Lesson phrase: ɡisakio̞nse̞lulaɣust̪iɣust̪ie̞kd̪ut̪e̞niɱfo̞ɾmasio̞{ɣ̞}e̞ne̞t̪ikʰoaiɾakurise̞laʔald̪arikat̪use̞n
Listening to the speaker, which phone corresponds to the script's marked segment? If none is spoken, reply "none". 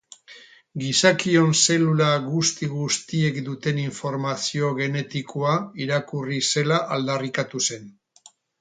ɣ̞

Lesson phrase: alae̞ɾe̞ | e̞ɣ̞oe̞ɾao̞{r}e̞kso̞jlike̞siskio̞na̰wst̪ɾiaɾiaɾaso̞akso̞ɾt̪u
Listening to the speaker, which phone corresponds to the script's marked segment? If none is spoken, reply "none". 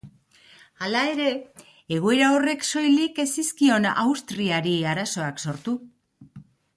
r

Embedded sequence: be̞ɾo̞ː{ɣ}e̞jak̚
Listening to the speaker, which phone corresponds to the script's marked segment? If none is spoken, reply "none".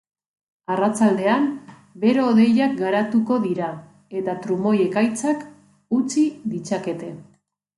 ð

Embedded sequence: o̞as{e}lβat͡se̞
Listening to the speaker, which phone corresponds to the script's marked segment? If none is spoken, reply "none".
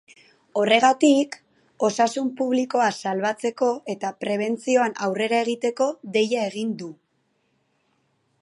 a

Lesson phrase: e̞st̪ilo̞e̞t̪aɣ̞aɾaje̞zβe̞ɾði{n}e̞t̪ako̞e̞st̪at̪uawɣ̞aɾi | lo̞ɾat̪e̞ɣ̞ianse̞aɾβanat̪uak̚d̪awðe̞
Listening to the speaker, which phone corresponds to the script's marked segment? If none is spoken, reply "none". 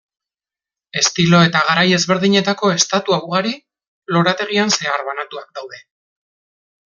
ɲ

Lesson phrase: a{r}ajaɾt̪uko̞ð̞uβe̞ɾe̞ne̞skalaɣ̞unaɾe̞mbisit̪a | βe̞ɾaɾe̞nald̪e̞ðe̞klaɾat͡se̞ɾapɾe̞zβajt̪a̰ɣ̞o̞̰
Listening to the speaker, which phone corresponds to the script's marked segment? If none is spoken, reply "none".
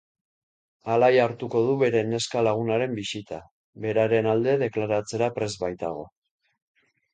l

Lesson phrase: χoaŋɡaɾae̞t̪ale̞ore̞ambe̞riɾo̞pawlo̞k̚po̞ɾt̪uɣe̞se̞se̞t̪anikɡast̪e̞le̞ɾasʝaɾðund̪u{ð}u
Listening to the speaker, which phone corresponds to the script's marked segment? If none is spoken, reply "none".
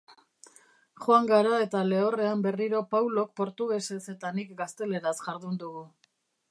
ɣ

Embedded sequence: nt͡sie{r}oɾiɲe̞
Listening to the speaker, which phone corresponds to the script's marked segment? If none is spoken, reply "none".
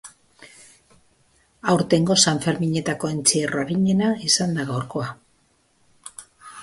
r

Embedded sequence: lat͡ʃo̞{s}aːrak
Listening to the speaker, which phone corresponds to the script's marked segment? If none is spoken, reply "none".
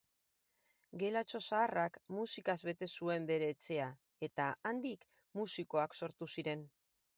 s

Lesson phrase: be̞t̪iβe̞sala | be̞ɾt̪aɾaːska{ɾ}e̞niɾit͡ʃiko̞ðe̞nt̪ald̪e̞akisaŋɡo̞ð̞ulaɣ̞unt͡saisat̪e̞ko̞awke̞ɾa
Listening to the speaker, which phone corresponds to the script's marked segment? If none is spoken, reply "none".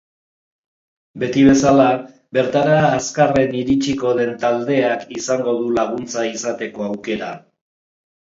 r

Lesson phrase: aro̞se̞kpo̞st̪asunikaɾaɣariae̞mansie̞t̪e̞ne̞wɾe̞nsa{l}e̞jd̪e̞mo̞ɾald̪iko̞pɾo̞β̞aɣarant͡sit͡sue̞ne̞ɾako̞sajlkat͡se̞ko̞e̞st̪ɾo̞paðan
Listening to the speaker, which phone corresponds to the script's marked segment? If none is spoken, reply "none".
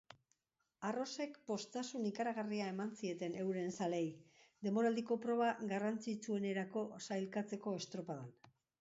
l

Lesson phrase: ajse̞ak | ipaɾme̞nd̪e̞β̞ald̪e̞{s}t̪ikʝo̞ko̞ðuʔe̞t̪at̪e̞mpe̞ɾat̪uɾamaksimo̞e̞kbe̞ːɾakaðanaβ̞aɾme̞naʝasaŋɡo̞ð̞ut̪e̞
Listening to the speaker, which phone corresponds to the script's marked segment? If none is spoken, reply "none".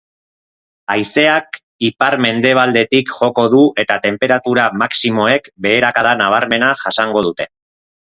none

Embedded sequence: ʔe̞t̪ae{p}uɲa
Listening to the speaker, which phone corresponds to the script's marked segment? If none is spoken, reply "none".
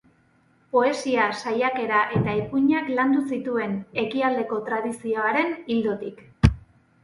p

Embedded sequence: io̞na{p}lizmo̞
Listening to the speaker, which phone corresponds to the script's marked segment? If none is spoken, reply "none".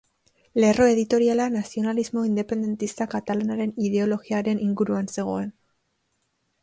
none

